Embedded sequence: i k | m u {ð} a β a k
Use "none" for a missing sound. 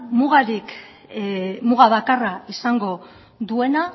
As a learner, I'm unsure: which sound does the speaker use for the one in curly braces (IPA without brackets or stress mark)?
ɣ